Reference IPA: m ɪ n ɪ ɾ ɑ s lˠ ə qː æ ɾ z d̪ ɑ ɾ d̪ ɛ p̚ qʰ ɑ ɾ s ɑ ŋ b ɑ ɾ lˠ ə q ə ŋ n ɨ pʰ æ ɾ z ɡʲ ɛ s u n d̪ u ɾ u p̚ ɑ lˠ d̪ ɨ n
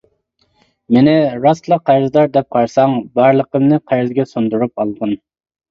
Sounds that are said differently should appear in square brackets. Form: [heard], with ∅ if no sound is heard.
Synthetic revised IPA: m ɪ n ɪ ɾ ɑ s lˠ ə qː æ ɾ z d̪ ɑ ɾ d̪ ɛ p̚ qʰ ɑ ɾ s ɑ ŋ b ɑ ɾ lˠ ə q ə [m] n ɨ [qʰ] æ ɾ z ɡʲ ɛ s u n d̪ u ɾ u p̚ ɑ lˠ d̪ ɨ n